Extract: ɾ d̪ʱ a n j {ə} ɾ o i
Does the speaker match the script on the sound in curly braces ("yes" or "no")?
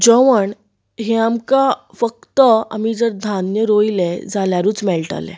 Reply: yes